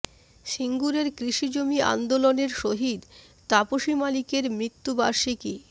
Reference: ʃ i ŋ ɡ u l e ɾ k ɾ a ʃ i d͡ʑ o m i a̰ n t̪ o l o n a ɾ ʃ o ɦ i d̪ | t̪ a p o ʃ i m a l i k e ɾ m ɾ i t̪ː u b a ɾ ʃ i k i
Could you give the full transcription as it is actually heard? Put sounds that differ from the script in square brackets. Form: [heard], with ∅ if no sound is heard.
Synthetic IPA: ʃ i ŋ ɡ u [ɾ] e ɾ k ɾ [i] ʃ i d͡ʑ o m i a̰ n [d̪] o l o n [e] ɾ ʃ o ɦ i d̪ | t̪ a p o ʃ i m a l i k e ɾ m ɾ i t̪ː u b a ɾ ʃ i k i